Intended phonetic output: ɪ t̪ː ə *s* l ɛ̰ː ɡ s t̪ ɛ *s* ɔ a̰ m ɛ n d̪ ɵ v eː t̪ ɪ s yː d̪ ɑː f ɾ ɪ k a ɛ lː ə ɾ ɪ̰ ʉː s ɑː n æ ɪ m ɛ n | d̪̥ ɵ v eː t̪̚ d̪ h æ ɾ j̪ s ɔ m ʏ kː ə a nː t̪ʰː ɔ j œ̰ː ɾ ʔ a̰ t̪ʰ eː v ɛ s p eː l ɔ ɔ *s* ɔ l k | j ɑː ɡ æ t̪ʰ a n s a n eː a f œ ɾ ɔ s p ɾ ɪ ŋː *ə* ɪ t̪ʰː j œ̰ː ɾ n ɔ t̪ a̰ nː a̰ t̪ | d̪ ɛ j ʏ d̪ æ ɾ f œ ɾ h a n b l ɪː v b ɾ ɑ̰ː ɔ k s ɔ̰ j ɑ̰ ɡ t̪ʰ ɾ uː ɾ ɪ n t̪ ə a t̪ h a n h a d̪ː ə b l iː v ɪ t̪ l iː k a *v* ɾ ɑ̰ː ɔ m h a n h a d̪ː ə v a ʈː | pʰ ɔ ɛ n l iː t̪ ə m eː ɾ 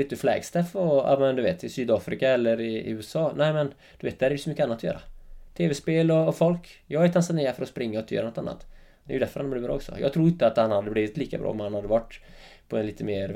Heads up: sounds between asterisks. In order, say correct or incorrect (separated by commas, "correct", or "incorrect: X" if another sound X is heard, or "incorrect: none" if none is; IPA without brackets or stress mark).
incorrect: f, incorrect: f, incorrect: f, incorrect: a, incorrect: b